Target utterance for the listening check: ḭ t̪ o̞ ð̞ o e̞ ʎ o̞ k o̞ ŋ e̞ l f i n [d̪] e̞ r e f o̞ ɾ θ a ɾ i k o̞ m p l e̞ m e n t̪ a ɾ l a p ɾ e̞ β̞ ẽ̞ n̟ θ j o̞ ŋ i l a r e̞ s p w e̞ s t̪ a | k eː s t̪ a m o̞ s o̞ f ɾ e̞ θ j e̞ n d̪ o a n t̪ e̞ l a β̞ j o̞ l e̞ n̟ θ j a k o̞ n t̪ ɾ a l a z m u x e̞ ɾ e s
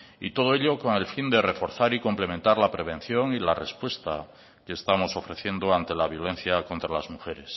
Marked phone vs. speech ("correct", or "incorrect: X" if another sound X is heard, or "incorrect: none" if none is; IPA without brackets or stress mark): correct